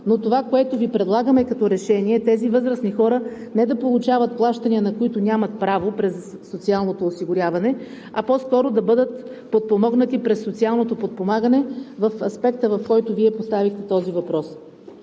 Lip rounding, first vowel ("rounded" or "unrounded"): rounded